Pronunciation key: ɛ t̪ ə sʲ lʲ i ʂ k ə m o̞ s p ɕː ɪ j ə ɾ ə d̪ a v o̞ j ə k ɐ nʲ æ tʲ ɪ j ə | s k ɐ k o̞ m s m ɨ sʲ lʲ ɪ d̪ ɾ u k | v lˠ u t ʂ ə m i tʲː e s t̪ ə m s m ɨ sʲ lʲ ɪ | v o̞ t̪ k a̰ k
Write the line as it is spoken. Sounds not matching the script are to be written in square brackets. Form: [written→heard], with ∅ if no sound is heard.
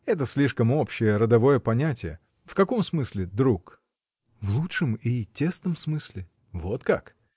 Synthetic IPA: ɛ t̪ ə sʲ lʲ i ʂ k ə m o̞ [s→∅] p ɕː ɪ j ə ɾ ə d̪ [a→ɐ] v o̞ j ə [k→p] ɐ nʲ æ tʲ ɪ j ə | [s→f] k ɐ k o̞ m s m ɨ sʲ lʲ ɪ d̪ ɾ u k | v lˠ u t ʂ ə m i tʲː e s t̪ ə m s m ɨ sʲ lʲ ɪ | v o̞ t̪ k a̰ k